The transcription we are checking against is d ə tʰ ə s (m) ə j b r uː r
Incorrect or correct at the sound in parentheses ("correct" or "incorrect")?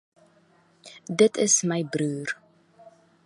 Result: correct